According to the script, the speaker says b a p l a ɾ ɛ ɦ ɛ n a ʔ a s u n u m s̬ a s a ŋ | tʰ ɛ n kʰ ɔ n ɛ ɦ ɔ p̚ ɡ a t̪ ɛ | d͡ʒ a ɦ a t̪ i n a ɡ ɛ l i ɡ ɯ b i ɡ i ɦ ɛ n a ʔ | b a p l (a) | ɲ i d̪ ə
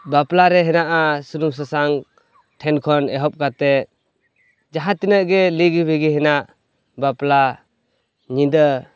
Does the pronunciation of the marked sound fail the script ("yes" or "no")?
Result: no